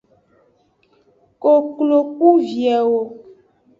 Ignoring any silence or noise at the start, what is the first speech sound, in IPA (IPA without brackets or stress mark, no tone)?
k